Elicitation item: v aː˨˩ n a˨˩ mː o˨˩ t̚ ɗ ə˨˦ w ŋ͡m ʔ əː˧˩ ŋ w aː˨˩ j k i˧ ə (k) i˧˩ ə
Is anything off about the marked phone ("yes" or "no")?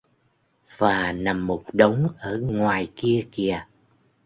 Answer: no